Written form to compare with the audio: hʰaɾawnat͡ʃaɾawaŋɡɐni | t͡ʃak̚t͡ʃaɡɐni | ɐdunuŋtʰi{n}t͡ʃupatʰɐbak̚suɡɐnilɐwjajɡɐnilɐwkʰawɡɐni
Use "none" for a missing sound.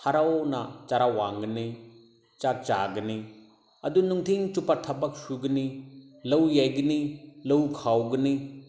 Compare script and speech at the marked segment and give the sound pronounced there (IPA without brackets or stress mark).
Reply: ŋ